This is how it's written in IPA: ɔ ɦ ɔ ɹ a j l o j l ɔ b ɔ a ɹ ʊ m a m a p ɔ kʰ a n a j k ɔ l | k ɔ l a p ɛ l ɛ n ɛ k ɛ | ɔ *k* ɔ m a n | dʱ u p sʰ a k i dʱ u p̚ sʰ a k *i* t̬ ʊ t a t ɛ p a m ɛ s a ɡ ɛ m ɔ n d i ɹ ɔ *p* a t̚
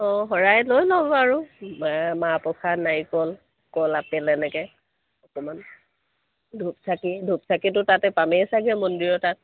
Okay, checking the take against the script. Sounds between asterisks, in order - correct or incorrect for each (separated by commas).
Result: correct, correct, incorrect